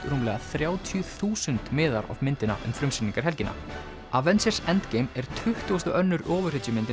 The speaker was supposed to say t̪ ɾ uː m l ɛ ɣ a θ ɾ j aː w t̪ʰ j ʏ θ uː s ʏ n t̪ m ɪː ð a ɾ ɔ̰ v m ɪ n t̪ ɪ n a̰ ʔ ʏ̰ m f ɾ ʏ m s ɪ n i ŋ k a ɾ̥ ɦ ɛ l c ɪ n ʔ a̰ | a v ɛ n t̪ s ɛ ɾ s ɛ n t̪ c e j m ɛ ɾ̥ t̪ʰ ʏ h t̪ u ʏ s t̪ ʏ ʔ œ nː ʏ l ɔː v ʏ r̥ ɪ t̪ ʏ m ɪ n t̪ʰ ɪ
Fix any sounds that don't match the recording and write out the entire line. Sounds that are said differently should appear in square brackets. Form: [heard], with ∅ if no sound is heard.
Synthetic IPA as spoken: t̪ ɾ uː m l ɛ ɣ a θ ɾ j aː w t̪ʰ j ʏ θ uː s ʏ n t̪ m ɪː ð a ɾ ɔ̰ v m ɪ n t̪ ɪ n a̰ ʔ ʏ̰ m f ɾ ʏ m s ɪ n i ŋ k a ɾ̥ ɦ ɛ l c ɪ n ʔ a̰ | a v ɛ n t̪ s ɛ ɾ s ɛ n t̪ c e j m ɛ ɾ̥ t̪ʰ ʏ h t̪ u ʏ s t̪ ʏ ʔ œ nː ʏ [ɾ] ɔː v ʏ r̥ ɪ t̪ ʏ m ɪ n [t̪] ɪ